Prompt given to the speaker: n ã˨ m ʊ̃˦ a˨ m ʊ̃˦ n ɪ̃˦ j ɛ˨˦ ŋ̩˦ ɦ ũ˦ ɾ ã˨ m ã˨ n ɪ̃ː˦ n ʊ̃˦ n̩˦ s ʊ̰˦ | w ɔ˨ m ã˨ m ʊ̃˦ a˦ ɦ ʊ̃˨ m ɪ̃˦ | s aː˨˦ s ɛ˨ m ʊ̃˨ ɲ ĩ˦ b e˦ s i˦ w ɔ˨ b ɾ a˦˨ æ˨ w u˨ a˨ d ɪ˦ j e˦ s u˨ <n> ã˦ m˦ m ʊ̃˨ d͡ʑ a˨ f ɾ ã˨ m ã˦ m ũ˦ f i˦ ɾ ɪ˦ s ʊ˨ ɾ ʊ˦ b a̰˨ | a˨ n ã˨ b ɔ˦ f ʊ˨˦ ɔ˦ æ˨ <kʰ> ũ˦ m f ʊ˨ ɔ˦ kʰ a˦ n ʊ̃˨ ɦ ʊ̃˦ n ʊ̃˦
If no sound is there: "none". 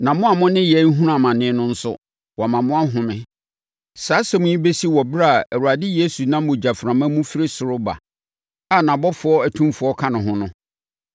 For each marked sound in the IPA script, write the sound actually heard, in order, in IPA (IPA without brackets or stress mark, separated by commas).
n, tʰ